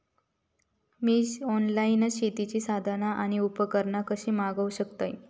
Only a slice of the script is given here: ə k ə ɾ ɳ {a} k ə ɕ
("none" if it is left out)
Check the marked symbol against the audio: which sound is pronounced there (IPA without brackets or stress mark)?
a